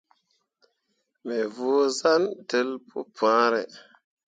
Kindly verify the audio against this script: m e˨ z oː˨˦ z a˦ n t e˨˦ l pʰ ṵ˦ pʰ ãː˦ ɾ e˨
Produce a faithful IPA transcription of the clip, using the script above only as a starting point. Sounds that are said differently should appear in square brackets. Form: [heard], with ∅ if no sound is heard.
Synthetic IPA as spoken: m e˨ [v] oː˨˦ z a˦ n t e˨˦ l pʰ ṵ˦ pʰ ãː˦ ɾ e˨